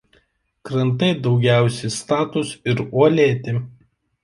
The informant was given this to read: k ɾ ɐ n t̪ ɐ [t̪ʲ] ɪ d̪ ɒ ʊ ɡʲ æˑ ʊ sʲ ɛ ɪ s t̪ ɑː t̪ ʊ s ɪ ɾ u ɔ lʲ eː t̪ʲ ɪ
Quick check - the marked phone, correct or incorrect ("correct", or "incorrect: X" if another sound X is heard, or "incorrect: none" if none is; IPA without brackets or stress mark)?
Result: incorrect: none